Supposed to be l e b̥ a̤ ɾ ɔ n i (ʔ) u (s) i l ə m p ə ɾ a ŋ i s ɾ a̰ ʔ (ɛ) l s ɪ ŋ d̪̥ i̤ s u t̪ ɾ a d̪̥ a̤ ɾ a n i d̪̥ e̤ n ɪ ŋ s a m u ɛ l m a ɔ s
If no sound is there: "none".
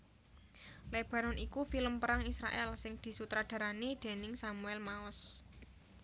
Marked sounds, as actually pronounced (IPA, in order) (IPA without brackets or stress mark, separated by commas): k, f, ɛ